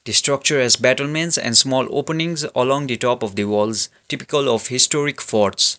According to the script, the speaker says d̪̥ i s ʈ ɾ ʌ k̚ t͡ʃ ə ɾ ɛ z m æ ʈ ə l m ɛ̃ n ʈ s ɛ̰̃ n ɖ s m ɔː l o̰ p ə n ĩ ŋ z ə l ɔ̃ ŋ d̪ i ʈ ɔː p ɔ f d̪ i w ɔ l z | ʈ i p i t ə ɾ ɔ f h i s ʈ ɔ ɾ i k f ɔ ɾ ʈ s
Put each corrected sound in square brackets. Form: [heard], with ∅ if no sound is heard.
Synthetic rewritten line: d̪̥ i s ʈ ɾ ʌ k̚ t͡ʃ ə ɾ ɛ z [b] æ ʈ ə l m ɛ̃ n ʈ s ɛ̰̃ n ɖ s m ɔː l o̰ p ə n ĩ ŋ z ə l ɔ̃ ŋ d̪ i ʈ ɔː p ɔ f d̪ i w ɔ l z | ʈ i p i [k] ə [l] ɔ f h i s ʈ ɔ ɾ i k f ɔ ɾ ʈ s